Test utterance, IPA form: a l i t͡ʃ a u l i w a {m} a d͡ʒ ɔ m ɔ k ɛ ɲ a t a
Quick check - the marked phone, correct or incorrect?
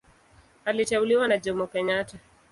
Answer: incorrect